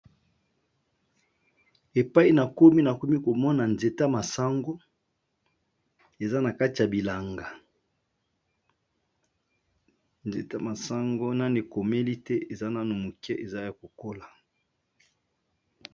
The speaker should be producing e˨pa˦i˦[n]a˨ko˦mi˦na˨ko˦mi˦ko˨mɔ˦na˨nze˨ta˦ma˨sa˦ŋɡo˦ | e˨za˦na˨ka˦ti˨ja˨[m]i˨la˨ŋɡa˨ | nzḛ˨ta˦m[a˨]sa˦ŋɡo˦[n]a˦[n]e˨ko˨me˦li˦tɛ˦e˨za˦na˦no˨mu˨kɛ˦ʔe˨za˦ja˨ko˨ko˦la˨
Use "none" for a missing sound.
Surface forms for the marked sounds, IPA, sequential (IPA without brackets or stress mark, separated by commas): n, b, a˨, n, n